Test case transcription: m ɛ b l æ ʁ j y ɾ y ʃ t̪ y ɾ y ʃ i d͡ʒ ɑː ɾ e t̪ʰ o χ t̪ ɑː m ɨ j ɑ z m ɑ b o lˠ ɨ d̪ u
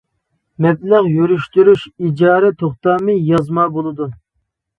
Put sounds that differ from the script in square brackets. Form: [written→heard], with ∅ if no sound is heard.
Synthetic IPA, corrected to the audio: m ɛ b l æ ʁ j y ɾ y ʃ t̪ y ɾ y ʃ i d͡ʒ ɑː ɾ [e→ɛ] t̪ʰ o χ t̪ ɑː m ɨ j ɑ z m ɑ b o lˠ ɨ d̪ u